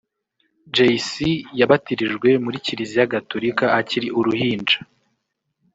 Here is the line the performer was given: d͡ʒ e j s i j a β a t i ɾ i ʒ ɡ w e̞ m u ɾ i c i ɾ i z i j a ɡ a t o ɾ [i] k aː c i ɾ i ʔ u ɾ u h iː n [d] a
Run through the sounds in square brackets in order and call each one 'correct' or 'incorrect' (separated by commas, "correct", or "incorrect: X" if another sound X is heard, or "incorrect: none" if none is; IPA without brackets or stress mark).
correct, incorrect: d͡ʒ